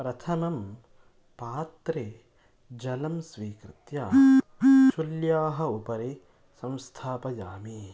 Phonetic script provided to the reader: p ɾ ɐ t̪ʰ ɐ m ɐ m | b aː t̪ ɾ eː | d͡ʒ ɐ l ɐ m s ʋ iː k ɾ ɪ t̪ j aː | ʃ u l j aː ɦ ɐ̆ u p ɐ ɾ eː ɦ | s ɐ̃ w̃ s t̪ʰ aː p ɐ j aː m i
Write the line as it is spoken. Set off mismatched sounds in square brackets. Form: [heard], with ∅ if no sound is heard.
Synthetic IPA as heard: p ɾ ɐ t̪ʰ ɐ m ɐ m | [p] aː t̪ ɾ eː | d͡ʒ ɐ l ɐ m s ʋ iː k ɾ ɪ t̪ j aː | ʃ u l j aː ɦ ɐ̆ u p ɐ ɾ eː [∅] | s ɐ̃ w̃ s t̪ʰ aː p ɐ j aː m i